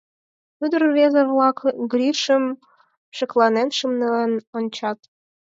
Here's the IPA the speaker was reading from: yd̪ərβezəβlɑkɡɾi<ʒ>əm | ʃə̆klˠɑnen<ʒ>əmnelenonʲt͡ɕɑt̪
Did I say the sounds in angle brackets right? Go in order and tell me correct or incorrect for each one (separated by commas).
incorrect, incorrect